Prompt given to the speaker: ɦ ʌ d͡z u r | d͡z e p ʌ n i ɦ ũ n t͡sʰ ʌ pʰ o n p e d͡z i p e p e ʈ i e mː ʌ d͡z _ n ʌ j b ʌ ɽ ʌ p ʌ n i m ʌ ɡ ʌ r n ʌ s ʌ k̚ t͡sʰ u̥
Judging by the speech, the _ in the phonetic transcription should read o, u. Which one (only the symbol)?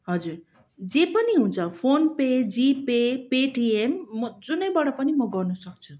u